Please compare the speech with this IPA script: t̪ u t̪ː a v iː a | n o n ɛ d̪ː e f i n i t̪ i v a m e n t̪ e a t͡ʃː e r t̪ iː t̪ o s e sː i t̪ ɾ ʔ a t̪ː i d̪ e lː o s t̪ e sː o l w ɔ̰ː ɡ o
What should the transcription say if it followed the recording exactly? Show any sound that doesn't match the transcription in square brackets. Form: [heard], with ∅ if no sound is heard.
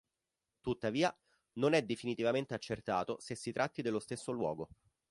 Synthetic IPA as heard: t̪ u t̪ː a v iː a | n o n ɛ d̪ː e f i n i t̪ i v a m e n t̪ e a t͡ʃː e r t̪ [aː] t̪ o s e sː i t̪ ɾ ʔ a t̪ː i d̪ e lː o s t̪ e sː o l w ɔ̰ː ɡ o